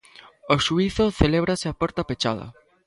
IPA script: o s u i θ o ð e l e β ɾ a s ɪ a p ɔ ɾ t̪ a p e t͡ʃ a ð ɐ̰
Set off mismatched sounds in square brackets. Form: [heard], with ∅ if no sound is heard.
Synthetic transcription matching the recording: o [ʃ] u i θ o [θ] e l e β ɾ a s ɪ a p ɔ ɾ t̪ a p e t͡ʃ a ð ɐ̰